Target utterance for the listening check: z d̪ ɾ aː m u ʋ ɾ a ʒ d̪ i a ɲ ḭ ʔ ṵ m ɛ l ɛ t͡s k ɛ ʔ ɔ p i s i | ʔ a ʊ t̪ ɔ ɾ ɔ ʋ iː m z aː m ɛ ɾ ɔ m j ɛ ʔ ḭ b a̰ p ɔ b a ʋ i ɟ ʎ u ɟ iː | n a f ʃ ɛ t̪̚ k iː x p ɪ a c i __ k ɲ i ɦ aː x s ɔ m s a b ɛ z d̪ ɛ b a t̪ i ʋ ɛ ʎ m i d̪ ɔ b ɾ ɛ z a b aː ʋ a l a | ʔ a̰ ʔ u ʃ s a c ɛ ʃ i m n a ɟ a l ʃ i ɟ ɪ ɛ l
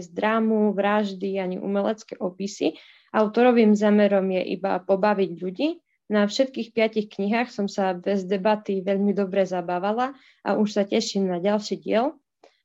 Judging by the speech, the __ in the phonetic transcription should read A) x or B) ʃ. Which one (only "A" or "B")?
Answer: A